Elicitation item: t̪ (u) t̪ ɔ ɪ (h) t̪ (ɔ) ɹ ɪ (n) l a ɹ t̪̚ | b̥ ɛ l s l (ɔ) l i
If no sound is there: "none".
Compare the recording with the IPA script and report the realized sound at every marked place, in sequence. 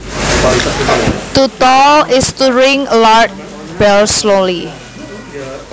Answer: u, s, u, ŋ, o

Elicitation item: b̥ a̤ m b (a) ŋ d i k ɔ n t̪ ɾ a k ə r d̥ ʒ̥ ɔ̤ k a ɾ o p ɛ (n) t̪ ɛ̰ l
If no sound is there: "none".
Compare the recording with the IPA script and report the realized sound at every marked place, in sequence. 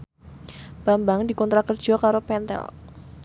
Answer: a, n

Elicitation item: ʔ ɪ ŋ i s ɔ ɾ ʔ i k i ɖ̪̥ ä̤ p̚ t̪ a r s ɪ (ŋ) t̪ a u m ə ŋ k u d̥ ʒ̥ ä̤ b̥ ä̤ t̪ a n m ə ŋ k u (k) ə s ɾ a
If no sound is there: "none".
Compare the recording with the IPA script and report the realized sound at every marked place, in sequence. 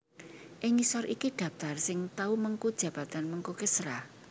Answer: ŋ, k

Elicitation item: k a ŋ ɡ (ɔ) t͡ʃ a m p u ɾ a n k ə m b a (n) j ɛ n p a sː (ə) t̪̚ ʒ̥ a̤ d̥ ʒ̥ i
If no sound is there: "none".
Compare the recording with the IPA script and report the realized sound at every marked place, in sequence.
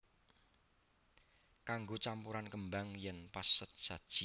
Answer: o, ŋ, ə

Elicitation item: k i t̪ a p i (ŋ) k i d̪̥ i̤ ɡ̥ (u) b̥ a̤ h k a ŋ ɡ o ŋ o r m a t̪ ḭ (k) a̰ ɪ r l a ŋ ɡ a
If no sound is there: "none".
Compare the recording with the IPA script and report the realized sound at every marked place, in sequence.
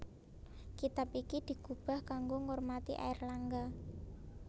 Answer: none, u, ʔ

